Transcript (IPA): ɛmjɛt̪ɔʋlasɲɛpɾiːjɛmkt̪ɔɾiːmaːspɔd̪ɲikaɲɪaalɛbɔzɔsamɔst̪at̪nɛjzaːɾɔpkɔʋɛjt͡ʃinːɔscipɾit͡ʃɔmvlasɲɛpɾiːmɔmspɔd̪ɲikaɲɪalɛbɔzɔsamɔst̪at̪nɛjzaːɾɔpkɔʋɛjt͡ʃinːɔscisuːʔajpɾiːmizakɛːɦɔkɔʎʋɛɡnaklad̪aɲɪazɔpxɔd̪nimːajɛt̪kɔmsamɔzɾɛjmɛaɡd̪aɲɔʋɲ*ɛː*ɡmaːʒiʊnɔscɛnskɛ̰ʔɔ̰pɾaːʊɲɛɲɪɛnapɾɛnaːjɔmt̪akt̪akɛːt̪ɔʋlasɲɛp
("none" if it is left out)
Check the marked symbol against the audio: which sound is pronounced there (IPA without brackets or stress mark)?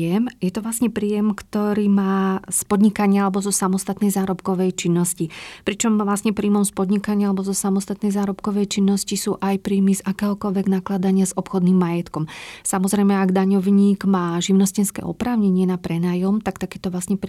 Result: iː